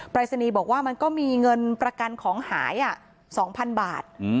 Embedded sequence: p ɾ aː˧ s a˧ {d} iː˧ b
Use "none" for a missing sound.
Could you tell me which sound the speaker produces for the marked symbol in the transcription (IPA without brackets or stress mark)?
n